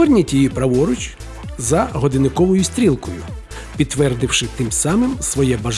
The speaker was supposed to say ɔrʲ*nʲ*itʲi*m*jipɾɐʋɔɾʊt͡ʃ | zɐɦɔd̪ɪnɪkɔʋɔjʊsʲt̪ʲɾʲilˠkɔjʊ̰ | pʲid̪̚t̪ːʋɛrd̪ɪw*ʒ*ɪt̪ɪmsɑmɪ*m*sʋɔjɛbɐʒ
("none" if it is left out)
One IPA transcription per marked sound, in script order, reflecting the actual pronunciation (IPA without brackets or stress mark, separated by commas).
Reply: nʲ, none, ʃ, m